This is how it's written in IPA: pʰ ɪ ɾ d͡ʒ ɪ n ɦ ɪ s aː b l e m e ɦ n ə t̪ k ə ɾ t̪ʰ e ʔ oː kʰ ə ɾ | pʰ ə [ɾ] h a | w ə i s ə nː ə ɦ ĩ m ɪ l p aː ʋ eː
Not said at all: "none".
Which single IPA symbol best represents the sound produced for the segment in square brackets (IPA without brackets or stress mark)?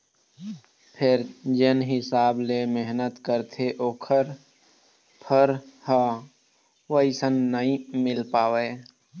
ɾ